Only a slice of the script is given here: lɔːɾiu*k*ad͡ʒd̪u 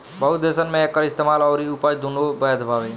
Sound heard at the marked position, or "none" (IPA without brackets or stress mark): p